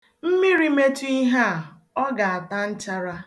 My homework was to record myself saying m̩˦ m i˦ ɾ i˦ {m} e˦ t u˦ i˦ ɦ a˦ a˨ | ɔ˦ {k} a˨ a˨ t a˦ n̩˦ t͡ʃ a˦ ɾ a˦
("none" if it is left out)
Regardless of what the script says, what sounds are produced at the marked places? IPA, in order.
m, ɡ

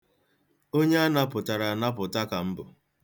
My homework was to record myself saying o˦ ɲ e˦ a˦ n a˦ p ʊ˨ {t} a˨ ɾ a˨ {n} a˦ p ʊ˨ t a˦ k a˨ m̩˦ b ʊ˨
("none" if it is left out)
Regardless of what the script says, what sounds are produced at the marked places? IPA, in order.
t, n

